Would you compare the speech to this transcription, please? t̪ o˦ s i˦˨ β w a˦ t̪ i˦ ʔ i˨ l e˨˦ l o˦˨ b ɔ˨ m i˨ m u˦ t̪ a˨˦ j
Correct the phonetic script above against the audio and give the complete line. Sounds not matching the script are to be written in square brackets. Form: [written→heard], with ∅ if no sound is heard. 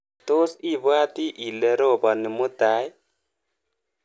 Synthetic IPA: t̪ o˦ s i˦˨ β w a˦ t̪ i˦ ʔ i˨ l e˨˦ [l→ɾ] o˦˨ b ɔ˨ [m→n] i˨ m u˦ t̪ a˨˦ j